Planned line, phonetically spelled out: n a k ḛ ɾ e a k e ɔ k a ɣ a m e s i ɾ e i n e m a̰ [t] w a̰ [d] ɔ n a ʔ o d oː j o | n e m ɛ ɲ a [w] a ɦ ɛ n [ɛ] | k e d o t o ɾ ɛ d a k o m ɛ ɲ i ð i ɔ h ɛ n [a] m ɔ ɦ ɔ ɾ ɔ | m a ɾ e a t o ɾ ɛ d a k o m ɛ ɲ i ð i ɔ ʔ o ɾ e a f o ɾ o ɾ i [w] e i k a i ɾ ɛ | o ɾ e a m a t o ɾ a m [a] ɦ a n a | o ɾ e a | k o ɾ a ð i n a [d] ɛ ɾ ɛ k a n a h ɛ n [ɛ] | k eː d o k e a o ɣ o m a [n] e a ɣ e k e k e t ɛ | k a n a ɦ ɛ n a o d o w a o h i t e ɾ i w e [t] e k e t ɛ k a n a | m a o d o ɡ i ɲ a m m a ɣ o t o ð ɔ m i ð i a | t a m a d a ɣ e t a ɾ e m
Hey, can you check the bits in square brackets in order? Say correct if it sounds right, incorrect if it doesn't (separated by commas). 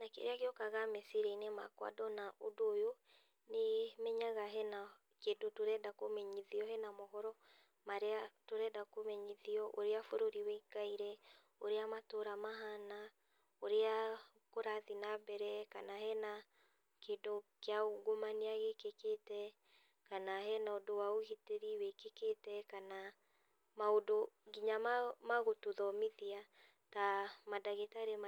incorrect, correct, incorrect, incorrect, correct, correct, correct, incorrect, incorrect, correct, incorrect